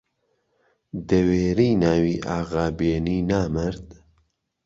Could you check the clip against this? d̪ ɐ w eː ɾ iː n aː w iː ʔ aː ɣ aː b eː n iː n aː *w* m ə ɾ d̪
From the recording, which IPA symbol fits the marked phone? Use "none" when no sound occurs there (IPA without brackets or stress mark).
none